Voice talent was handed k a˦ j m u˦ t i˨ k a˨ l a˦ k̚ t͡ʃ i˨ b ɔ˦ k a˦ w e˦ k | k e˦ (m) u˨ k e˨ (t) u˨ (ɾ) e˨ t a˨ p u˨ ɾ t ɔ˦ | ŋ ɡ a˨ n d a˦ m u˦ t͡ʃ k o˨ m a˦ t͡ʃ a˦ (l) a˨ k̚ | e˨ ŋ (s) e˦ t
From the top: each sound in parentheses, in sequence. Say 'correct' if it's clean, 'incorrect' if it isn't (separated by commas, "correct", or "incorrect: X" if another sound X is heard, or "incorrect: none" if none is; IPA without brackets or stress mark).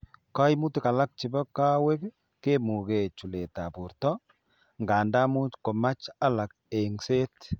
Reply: correct, incorrect: t͡ʃ, incorrect: l, correct, correct